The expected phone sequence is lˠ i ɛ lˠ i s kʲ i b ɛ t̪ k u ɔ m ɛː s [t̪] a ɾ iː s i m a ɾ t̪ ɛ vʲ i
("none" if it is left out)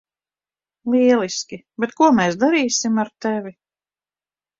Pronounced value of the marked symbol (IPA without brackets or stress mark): d̪